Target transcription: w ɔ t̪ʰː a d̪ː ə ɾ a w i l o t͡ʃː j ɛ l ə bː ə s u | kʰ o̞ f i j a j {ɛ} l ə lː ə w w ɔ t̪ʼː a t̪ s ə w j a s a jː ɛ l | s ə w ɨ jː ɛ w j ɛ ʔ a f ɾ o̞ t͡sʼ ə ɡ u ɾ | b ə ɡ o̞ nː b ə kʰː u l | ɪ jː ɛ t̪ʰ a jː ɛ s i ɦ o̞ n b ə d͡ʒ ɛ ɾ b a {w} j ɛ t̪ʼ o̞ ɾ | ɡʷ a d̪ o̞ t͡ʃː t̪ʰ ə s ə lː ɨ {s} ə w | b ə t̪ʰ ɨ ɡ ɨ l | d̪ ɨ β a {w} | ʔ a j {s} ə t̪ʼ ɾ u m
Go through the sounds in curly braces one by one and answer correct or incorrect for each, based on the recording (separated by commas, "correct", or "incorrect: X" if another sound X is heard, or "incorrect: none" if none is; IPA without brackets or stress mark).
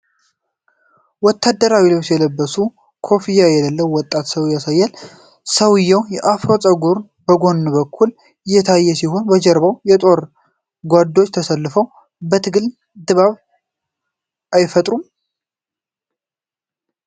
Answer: correct, correct, incorrect: f, incorrect: β, incorrect: f